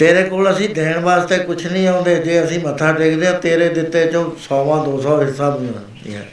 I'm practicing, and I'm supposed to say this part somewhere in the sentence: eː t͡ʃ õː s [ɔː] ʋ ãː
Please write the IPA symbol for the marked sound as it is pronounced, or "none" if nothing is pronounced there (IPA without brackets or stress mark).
ɔː